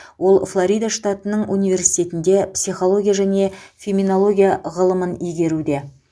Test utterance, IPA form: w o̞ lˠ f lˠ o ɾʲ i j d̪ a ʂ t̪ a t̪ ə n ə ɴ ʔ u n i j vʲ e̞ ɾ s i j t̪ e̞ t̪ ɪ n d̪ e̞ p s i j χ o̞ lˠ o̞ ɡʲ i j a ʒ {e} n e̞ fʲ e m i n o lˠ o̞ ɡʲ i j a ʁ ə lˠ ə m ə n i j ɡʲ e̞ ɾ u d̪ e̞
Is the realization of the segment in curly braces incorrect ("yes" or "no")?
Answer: yes